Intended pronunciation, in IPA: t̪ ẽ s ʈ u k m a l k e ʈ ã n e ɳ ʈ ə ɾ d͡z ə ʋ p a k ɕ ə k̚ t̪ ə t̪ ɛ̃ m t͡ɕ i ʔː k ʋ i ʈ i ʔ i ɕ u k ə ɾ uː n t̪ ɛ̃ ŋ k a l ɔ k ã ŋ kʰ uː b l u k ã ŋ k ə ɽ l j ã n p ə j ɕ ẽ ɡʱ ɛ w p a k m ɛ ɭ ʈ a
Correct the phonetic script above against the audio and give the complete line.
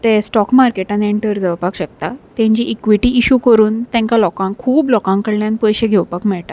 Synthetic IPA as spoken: t̪ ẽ s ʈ ɔ k m a ɾ k e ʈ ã n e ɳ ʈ ə ɾ d͡z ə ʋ p a k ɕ ə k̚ t̪ a t̪ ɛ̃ ɲ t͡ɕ i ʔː k ʋ i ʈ i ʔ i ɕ u k ə ɾ uː n t̪ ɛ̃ ŋ k a l ɔ k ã ŋ kʰ uː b l ɔ k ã ŋ k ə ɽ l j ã n p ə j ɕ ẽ ɡʱ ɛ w p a k m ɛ ɭ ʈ a